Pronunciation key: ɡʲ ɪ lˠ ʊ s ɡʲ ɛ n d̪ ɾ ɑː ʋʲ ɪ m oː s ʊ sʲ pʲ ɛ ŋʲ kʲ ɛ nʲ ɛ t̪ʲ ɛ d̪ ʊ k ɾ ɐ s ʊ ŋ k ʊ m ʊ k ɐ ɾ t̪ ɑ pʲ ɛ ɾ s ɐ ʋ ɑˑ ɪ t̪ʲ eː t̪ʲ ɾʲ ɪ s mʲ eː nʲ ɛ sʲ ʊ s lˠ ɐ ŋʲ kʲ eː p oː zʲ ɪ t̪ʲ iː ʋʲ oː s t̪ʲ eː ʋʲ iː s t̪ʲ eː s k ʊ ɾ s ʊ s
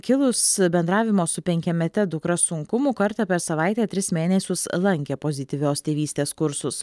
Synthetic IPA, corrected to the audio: kʲ ɪ lˠ ʊ s bʲ ɛ n d̪ ɾ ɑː ʋʲ ɪ m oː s ʊ pʲ ɛ ŋʲ kʲ ɛ mʲ ɛ t̪ʲ ɛ d̪ ʊ k ɾ ɐ s ʊ ŋ k ʊ m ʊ k ɐ ɾ t̪ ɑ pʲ ɛ ɾ s ɐ ʋ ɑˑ ɪ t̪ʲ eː t̪ʲ ɾʲ ɪ s mʲ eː nʲ ɛ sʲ ʊ s lˠ ɐ ŋʲ kʲ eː p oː zʲ ɪ t̪ʲ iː ʋʲ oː s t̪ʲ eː ʋʲ iː s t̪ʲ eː s k ʊ ɾ s ʊ s